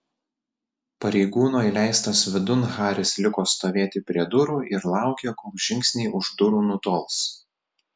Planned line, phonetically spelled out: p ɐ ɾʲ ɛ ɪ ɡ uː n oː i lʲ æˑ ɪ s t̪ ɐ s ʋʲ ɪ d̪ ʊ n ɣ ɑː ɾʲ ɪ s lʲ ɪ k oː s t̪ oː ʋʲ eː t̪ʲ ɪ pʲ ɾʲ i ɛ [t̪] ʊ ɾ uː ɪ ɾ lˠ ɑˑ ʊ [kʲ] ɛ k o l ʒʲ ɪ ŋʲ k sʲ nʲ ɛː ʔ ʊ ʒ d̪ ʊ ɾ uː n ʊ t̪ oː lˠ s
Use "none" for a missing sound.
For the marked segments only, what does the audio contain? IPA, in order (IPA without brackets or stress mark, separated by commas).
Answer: d̪, kʲ